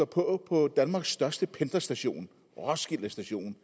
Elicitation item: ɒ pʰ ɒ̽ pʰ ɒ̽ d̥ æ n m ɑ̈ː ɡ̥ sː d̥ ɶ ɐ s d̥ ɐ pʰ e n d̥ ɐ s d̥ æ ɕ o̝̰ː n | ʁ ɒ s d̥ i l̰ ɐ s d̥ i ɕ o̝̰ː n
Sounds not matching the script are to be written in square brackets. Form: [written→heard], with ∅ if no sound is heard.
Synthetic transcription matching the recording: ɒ pʰ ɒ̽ pʰ ɒ̽ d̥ æ n m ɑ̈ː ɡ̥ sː d̥ ɶ ɐ s d̥ [ɐ→ə] pʰ e n d̥ ɐ s d̥ æ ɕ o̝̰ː n | ʁ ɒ s [d̥→ɡ̥] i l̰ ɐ s d̥ [i→æ] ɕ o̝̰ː n